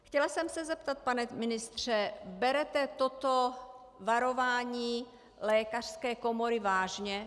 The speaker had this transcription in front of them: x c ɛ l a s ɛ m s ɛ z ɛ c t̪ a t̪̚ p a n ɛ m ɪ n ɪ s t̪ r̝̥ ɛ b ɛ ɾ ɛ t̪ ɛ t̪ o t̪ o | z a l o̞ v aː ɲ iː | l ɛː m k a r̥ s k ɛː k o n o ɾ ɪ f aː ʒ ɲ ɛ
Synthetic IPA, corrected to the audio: x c ɛ l a s ɛ m s ɛ z ɛ p t̪ a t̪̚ p a n ɛ m ɪ n ɪ s t̪ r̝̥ ɛ b ɛ ɾ ɛ t̪ ɛ t̪ o t̪ o | v a ɾ o̞ v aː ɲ iː | l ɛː k a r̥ s k ɛː k o m o ɾ ɪ v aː ʒ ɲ ɛ